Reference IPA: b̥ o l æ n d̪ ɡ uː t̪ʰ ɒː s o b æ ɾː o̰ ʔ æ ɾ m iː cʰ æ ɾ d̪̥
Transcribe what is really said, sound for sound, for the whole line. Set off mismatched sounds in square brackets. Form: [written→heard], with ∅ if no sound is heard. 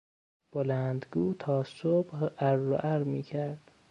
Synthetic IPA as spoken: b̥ o l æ n d̪ ɡ uː t̪ʰ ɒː s o b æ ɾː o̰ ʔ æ ɾ m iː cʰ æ ɾ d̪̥